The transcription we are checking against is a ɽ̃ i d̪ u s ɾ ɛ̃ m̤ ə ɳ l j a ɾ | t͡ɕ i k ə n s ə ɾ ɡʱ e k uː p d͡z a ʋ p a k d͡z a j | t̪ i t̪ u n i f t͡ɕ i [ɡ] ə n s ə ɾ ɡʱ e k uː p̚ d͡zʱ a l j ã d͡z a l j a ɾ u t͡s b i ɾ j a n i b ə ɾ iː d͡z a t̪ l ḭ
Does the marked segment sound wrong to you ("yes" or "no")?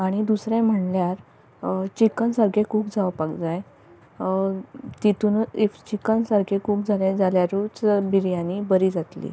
yes